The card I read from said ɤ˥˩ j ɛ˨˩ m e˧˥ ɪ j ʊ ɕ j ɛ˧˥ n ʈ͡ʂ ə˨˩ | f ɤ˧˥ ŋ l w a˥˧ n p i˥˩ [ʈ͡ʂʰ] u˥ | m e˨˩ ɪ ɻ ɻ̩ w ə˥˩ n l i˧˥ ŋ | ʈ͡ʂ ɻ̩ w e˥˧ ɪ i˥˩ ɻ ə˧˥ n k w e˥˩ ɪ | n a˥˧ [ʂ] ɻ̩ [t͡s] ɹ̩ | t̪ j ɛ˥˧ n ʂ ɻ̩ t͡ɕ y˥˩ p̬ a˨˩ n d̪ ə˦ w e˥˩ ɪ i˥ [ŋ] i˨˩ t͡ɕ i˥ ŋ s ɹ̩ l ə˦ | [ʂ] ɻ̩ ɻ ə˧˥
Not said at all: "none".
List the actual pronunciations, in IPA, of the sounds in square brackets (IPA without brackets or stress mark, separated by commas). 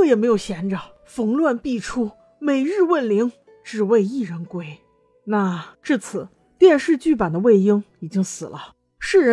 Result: ʈ͡ʂʰ, ʈ͡ʂ, t͡sʰ, ŋ, ʂ